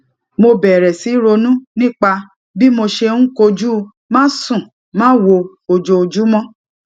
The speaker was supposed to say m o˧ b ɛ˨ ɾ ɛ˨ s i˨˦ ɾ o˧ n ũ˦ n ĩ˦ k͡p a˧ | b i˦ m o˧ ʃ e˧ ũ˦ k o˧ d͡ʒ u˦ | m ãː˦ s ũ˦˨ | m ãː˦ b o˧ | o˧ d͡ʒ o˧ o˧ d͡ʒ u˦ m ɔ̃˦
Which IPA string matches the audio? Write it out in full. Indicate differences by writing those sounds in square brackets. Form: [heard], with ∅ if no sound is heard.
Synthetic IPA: m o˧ b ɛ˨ ɾ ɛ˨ s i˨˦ ɾ o˧ n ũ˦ n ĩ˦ k͡p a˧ | b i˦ m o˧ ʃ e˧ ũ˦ k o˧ d͡ʒ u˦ | m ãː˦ s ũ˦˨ | m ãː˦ [w] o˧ | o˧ d͡ʒ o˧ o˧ d͡ʒ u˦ m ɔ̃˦